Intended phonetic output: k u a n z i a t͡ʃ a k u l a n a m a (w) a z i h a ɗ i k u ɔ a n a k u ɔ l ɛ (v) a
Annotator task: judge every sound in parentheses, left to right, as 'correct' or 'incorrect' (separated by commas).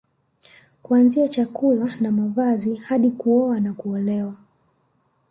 incorrect, incorrect